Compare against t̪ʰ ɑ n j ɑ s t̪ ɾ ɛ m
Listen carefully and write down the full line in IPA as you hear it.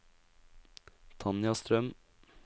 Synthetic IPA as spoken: t̪ʰ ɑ n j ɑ s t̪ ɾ œ m